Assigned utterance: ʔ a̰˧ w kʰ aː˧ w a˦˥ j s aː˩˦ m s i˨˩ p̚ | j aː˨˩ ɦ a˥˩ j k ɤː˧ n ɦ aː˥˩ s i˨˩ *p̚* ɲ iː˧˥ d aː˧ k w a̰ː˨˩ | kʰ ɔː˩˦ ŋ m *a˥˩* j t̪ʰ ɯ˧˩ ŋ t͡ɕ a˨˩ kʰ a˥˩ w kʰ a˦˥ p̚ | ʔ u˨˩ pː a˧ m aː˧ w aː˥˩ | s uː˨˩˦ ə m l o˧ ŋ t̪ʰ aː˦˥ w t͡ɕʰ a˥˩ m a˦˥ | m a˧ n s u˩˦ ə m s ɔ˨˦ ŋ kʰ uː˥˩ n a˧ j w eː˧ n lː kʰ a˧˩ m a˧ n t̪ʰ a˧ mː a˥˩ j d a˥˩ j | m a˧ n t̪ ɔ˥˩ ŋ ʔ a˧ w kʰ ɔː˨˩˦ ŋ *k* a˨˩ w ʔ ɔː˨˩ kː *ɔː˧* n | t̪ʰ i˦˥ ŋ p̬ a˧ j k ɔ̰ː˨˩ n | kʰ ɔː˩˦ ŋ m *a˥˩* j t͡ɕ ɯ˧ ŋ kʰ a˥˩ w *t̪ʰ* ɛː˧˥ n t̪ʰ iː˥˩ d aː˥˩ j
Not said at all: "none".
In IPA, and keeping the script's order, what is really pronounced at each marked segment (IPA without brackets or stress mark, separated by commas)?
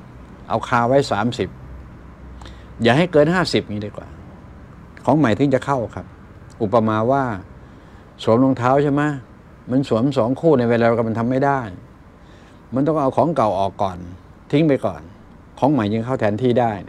p̚, a˨˩, k, ɔː˨˩, a˨˩, t̪ʰ